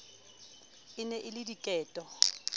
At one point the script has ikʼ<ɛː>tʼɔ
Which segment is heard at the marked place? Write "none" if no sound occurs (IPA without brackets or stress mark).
ɛː